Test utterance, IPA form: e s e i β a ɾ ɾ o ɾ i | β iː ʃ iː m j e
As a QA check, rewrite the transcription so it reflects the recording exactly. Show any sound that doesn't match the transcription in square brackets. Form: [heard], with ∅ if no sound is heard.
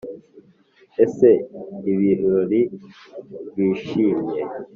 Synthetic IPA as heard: e s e i β [i] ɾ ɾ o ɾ i | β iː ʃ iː m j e